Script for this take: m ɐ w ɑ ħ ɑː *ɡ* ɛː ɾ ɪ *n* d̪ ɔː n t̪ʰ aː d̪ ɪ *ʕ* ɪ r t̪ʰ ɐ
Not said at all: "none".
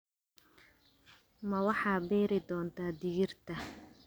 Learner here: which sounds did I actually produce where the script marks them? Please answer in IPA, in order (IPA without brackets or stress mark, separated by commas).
b, none, ɣ